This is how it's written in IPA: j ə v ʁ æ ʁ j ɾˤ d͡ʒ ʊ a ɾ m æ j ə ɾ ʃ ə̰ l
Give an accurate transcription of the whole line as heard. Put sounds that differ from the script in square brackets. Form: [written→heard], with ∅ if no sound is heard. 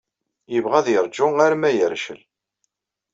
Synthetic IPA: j ə v ʁ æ [ʁ→ð] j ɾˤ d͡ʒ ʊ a ɾ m æ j ə ɾ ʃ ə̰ l